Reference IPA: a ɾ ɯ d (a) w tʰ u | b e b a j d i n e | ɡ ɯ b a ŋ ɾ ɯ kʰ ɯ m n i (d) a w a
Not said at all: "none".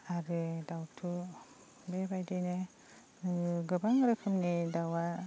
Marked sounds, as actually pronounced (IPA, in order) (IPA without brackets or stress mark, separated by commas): a, d